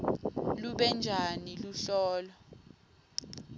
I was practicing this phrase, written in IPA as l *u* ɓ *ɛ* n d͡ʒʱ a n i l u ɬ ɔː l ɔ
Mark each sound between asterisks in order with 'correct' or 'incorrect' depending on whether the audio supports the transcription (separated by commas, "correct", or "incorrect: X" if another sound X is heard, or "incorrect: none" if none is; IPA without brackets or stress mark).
correct, correct